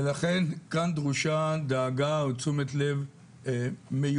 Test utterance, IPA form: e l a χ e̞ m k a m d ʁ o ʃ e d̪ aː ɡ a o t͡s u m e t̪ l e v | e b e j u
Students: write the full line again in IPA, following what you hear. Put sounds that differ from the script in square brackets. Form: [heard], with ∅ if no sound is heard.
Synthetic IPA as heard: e l a χ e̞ [n] k a [n] d ʁ [u] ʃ [a] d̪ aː ɡ a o t͡s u m e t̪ l e v | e [m] e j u